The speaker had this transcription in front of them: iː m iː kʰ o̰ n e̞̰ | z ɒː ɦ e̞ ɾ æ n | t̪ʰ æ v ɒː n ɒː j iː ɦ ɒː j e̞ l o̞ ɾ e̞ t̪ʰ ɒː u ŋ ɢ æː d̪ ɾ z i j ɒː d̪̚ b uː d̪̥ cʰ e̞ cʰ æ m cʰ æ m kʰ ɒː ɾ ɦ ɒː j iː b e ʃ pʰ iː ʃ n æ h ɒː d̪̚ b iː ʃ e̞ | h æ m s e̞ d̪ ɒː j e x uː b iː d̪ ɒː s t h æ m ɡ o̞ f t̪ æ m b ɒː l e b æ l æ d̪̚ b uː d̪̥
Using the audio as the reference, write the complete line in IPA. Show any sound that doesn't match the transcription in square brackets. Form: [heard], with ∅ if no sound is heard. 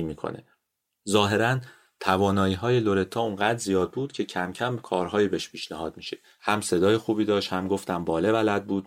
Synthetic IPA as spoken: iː m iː kʰ o̰ n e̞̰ | z ɒː ɦ e̞ ɾ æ n | t̪ʰ æ v ɒː n ɒː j iː ɦ ɒː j e̞ l o̞ ɾ e̞ t̪ʰ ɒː u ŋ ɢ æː d̪ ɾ z i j ɒː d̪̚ b uː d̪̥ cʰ e̞ cʰ æ m cʰ æ m kʰ ɒː ɾ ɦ ɒː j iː b e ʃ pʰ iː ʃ n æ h ɒː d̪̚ [m] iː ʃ e̞ | h æ m s e̞ d̪ ɒː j e x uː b iː d̪ ɒː [ʃ] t h æ m ɡ o̞ f t̪ æ m b ɒː l e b æ l æ d̪̚ b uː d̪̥